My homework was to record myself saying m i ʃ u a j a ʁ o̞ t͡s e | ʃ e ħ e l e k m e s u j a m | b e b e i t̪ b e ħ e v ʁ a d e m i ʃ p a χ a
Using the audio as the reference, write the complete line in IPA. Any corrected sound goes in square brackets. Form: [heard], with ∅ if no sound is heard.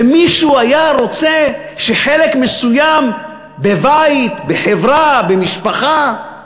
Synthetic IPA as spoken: m i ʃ u a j a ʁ o̞ t͡s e | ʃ e ħ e l e k m e s u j a m | b e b [a] i t̪ b e ħ e v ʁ a [b] e m i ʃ p a χ a